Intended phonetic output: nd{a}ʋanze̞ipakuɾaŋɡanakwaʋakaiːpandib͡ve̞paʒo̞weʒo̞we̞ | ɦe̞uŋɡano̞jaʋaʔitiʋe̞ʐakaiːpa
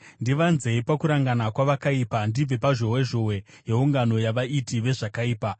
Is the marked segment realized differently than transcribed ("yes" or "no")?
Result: yes